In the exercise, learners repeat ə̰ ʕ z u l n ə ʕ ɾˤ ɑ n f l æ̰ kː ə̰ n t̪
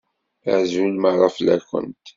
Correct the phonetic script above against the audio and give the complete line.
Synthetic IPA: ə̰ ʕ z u l m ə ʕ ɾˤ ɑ f l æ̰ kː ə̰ n t̪